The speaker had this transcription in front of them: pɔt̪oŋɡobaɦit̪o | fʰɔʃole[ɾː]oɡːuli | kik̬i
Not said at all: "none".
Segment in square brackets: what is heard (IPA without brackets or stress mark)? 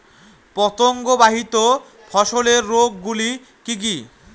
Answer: ɾː